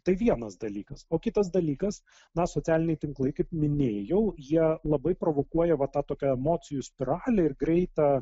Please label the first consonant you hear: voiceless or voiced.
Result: voiceless